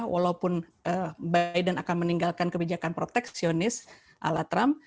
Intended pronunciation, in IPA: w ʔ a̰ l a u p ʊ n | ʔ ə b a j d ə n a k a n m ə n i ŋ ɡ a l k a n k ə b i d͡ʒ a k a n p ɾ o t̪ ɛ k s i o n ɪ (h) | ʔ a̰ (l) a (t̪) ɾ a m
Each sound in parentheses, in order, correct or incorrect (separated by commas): incorrect, correct, correct